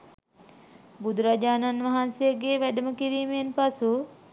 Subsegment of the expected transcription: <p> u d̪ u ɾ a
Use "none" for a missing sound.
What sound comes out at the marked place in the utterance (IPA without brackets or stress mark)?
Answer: b